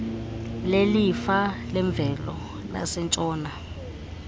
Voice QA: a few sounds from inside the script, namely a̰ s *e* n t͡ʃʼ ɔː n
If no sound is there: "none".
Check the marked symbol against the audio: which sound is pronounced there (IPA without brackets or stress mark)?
ɛ